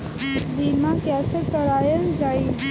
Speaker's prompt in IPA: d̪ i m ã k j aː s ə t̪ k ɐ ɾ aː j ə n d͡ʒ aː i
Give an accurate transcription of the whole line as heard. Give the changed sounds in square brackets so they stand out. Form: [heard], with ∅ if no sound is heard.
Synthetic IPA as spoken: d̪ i m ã k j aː s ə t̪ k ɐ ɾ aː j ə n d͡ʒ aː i